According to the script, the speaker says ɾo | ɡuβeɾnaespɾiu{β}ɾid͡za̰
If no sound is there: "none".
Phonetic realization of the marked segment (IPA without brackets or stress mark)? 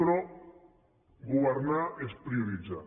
none